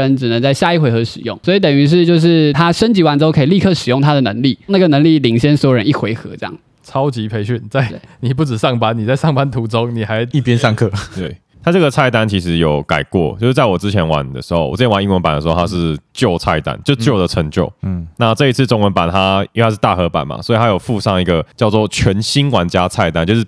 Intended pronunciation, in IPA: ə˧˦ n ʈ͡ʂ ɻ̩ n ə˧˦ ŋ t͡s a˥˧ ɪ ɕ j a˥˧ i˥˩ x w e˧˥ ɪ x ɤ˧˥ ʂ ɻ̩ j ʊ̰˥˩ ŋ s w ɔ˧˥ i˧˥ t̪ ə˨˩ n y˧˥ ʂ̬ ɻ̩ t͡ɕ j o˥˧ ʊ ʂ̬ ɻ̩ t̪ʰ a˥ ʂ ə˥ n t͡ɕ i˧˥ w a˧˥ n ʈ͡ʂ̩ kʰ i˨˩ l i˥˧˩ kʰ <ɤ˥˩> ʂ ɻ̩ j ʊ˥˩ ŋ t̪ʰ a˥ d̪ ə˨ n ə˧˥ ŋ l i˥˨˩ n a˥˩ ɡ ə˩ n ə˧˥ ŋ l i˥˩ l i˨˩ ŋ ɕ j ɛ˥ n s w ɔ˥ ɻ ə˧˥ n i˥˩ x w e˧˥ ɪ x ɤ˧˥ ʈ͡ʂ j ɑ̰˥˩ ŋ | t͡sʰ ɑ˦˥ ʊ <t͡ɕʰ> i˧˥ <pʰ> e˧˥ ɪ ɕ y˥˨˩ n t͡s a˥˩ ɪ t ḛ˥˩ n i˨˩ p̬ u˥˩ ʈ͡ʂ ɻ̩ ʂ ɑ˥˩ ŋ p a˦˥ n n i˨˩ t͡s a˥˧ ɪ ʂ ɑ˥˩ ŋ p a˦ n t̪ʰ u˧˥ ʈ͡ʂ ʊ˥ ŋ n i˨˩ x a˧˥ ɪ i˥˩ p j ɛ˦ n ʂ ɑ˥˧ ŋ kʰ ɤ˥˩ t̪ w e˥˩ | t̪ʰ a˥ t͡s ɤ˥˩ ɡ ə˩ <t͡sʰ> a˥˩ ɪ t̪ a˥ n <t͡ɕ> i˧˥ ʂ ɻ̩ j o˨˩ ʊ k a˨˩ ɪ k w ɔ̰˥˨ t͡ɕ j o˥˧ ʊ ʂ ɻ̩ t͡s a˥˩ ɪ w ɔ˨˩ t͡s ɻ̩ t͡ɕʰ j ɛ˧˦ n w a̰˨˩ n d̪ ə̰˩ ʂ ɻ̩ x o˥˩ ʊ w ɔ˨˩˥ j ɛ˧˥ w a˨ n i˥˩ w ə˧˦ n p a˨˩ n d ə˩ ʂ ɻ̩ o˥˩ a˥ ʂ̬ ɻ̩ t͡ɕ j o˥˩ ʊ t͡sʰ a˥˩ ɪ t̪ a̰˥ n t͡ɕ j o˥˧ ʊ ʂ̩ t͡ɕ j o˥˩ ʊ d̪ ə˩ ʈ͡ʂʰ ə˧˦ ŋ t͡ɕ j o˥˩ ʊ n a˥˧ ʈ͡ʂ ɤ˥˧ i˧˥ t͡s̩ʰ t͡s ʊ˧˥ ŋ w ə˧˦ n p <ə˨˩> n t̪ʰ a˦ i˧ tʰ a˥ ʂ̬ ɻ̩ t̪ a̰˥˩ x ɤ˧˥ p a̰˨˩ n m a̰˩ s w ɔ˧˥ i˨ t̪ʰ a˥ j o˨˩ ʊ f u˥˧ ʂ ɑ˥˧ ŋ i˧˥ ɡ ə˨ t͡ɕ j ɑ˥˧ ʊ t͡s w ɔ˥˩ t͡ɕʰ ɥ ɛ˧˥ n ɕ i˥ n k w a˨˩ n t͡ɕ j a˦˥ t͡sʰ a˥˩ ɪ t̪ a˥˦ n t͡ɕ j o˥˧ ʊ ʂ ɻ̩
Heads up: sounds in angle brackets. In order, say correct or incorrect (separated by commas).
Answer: correct, incorrect, correct, correct, incorrect, incorrect